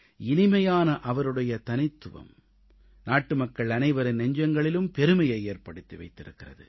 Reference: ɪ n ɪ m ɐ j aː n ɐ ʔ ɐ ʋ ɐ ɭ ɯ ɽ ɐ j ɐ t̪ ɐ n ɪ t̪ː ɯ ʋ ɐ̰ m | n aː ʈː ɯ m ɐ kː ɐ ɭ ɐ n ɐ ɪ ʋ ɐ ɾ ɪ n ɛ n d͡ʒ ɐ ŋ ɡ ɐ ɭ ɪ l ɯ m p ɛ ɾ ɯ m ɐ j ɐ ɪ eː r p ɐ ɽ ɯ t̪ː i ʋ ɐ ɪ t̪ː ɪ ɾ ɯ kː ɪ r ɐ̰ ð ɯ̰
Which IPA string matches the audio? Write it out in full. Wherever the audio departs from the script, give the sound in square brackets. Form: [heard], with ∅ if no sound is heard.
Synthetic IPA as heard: ɪ n ɪ m ɐ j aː n ɐ ʔ ɐ ʋ ɐ [ɾ] ɯ ɽ ɐ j ɐ t̪ ɐ n ɪ t̪ː ɯ ʋ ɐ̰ m | n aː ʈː ɯ m ɐ kː ɐ ɭ ɐ n ɐ ɪ ʋ ɐ ɾ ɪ n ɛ [ɲ] d͡ʒ ɐ ŋ ɡ ɐ ɭ ɪ l ɯ m p ɛ ɾ ɯ m ɐ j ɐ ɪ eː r p ɐ ɽ ɯ t̪ː i ʋ ɐ ɪ t̪ː ɪ ɾ ɯ kː ɪ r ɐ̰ ð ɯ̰